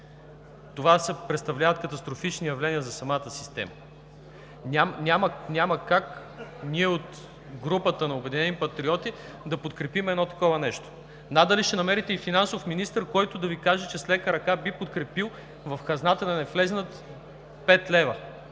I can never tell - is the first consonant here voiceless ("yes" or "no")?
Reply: yes